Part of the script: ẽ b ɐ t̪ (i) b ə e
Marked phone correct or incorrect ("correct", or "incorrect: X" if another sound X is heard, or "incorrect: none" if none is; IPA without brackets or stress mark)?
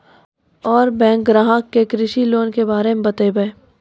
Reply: incorrect: e